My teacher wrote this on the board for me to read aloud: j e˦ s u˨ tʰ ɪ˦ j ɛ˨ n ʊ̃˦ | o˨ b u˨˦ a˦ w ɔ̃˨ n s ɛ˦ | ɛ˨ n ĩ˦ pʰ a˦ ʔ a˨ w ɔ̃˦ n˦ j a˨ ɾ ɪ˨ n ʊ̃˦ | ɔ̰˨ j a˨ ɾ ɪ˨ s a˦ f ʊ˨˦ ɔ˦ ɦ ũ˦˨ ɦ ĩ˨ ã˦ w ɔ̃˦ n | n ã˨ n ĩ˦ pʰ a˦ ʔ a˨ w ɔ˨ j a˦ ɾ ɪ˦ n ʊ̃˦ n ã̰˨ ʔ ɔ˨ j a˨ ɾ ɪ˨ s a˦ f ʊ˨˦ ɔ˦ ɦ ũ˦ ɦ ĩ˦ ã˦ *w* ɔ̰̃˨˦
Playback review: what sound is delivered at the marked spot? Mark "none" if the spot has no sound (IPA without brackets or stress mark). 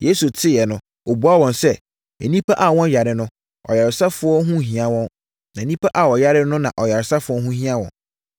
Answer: w